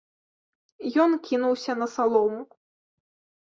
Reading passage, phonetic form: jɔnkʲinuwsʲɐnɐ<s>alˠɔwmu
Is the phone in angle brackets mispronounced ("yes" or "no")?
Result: no